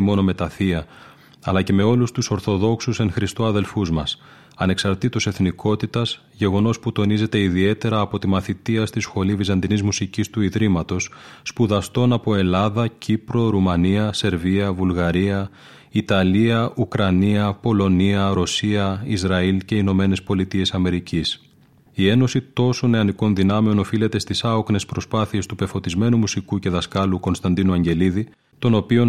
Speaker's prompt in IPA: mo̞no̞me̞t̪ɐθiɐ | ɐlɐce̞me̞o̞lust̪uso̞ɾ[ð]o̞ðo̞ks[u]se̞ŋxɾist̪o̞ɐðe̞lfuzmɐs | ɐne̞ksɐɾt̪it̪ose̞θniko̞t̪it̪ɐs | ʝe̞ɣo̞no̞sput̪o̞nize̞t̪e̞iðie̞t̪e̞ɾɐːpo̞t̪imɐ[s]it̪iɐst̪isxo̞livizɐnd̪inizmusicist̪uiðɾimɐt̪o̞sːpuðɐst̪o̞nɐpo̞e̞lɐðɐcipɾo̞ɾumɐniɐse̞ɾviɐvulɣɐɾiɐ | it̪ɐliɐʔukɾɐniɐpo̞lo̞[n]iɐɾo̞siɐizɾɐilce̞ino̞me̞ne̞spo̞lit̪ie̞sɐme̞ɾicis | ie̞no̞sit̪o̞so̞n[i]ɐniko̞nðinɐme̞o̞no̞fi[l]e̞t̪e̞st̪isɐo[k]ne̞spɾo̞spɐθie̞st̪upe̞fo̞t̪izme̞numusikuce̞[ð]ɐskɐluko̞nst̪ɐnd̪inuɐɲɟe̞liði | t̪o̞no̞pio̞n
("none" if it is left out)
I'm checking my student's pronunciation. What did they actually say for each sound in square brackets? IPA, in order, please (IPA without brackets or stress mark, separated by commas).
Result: θ, u, θ, n, e, l, k, ð